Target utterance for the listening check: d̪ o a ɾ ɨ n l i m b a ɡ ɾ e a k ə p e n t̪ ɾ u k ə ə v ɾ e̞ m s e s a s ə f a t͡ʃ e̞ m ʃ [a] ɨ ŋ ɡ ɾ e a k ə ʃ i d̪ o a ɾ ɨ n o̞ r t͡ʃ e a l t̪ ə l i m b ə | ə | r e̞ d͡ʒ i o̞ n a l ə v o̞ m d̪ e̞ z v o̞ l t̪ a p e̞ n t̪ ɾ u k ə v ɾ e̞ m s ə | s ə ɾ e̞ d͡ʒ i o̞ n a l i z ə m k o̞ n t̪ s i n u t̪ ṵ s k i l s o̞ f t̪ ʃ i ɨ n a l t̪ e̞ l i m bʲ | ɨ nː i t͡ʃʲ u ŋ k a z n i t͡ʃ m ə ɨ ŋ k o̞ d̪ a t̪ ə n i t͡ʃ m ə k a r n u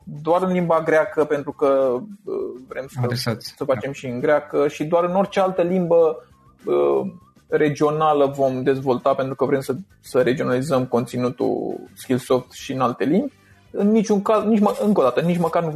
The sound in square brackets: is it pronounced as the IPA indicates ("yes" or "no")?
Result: no